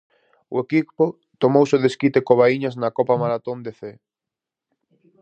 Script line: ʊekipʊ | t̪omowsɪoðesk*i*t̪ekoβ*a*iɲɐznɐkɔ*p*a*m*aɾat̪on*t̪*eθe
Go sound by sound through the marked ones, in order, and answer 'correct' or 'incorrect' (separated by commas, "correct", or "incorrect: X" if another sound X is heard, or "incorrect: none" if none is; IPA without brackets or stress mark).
correct, correct, correct, correct, incorrect: d̪